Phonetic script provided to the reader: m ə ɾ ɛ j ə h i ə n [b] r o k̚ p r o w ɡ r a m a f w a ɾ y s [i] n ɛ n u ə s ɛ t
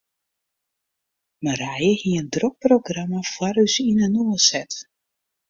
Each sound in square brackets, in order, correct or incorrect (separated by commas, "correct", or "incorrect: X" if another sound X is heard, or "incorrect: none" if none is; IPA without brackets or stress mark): incorrect: d, correct